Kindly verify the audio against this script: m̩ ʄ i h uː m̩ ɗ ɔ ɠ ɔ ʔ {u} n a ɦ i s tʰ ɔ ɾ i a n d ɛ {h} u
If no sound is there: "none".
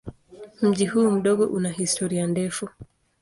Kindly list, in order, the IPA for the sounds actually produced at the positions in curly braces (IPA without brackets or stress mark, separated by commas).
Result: u, f